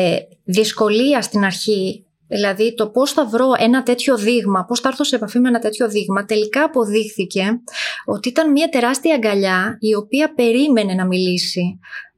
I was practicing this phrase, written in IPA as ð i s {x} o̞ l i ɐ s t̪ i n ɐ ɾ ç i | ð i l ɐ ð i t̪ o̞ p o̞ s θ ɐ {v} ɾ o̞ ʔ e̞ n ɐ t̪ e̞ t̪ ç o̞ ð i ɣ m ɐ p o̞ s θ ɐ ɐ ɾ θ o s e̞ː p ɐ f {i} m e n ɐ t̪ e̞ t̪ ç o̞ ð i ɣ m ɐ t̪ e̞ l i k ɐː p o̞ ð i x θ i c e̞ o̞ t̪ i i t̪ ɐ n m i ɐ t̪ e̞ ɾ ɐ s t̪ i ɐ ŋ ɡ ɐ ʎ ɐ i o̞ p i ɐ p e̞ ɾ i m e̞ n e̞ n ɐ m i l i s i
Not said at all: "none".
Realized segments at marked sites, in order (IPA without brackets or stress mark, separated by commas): k, v, i